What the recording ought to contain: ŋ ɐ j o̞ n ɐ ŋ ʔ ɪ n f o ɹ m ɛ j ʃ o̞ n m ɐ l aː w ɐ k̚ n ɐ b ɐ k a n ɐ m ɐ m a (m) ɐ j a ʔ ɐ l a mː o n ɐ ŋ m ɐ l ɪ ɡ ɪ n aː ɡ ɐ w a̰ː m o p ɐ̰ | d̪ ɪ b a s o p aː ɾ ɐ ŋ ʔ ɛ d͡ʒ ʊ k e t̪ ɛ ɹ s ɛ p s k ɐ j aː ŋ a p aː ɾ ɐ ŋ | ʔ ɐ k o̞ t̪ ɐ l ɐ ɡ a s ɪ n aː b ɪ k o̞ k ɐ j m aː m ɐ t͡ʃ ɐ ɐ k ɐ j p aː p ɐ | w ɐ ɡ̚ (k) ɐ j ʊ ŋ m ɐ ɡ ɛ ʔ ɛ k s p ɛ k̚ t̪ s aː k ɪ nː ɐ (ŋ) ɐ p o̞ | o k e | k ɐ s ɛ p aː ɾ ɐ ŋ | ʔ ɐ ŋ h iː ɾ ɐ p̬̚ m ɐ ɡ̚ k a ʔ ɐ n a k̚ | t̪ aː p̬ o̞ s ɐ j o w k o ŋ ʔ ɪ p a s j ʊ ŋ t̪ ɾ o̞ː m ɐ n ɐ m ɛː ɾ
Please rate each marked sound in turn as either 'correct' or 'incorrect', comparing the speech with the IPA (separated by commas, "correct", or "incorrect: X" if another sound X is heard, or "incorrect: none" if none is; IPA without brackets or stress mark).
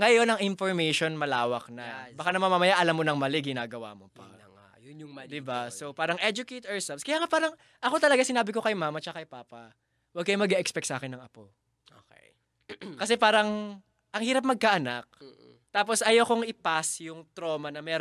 correct, correct, correct